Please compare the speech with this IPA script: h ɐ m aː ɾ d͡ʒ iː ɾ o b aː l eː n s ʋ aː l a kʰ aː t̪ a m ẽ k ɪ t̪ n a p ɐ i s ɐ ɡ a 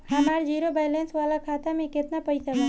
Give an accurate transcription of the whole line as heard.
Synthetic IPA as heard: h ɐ m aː ɾ d͡ʒ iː ɾ o b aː l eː n s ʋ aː l a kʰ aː t̪ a m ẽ k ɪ t̪ n a p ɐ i s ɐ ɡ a